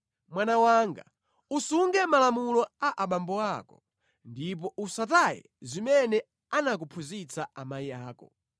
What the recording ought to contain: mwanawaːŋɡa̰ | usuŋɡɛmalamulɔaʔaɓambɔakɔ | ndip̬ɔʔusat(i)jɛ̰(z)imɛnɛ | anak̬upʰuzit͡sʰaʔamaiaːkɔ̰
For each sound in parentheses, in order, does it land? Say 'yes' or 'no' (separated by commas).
no, yes